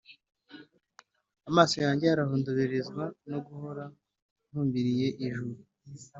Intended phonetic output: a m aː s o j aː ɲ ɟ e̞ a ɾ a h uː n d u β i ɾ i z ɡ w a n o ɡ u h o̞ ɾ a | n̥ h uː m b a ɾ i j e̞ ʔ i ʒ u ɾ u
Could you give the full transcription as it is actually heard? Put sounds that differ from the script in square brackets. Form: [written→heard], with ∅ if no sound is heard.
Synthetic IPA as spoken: a m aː s o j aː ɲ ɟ e̞ a ɾ a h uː n d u β i ɾ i z ɡ w a n o ɡ u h o̞ ɾ a | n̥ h uː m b [a→i] ɾ i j e̞ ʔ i ʒ u ɾ u